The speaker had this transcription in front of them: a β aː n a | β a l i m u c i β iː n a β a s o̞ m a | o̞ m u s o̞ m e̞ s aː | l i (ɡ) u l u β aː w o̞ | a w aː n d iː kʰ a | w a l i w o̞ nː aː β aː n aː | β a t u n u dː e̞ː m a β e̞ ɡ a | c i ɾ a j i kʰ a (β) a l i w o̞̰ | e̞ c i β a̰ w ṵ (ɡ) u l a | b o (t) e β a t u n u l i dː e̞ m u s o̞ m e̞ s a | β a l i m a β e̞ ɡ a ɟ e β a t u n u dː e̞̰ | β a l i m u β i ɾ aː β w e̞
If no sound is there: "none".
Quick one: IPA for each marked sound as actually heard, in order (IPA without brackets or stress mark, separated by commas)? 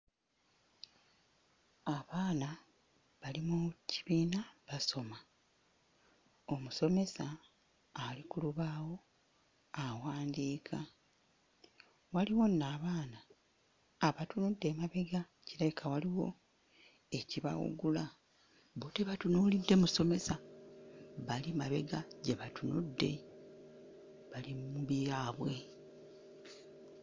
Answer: k, w, ɡ, t